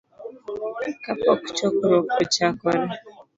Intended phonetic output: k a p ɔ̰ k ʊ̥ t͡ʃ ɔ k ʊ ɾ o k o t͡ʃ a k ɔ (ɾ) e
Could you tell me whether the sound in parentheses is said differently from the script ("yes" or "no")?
no